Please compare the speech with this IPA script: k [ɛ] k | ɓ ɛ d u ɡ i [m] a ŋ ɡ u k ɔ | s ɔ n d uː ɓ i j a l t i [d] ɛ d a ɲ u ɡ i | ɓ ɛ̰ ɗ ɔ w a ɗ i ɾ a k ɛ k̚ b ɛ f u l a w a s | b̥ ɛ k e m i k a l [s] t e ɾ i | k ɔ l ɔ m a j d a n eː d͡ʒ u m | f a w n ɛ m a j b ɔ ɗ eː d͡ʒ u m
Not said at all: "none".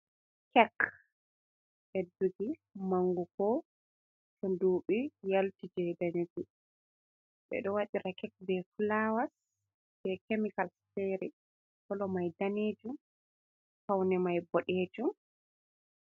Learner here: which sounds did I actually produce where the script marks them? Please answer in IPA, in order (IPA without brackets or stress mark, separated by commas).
ɛ, m, d͡ʒ, s